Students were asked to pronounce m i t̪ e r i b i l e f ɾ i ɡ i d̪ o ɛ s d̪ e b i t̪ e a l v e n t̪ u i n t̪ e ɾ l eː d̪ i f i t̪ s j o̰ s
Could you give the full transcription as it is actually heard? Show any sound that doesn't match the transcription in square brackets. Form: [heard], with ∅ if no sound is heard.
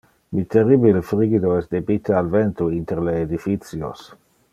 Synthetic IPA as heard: m i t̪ e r i b i l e f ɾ i ɡ i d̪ o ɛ s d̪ e b i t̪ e a l v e n t̪ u i n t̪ e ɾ l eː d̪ i f i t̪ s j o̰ s